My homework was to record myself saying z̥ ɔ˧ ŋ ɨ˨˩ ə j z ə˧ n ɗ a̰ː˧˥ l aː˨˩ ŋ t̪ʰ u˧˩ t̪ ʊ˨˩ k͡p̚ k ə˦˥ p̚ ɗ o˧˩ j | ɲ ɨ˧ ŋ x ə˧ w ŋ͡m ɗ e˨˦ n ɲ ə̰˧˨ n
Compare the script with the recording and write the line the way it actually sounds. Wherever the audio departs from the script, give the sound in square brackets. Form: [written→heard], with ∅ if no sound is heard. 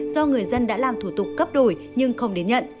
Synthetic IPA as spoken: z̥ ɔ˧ ŋ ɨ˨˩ ə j z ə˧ n ɗ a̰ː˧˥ l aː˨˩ [ŋ→m] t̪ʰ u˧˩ t̪ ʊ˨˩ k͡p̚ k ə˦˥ p̚ ɗ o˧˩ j | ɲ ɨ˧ ŋ x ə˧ w ŋ͡m ɗ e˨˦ n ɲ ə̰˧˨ n